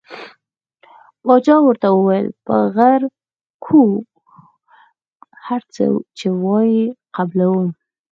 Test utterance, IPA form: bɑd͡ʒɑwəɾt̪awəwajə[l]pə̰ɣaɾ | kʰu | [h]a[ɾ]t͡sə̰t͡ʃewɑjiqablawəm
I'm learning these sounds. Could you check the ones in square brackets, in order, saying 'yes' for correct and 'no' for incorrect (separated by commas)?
yes, yes, yes